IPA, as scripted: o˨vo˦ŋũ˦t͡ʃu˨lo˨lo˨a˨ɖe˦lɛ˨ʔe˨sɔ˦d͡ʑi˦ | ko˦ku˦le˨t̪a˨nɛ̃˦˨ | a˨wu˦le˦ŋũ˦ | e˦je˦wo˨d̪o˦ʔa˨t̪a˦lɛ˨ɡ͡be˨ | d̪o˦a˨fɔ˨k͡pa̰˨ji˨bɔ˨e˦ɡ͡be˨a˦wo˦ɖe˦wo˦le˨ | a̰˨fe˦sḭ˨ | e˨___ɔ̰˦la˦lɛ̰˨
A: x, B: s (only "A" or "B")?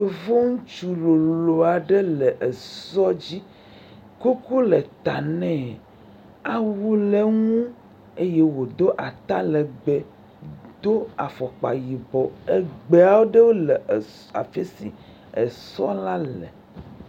B